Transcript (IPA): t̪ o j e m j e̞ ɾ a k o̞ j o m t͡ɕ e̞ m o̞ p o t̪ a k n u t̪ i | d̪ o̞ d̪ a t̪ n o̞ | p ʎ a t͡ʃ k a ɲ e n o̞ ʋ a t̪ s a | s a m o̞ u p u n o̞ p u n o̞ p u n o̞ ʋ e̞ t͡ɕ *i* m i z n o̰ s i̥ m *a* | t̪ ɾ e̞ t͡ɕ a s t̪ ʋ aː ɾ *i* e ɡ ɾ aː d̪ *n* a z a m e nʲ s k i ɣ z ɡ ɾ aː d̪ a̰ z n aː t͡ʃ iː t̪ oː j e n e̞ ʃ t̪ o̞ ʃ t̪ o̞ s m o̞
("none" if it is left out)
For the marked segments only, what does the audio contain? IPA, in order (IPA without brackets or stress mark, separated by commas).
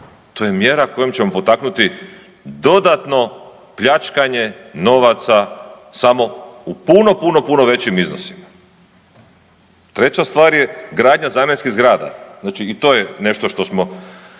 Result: i, a, j, ɲ